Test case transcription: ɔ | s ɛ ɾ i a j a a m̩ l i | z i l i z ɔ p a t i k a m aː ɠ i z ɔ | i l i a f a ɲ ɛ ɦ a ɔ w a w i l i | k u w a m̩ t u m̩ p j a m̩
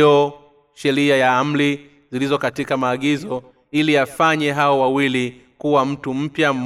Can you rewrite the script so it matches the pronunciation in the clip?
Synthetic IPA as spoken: ɔ | ʃ ɛ ɾ i a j a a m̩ l i | z i l i z ɔ k a t i k a m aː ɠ i z ɔ | i l i a f a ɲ ɛ ɦ a ɔ w a w i l i | k u w a m̩ t u m̩ p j a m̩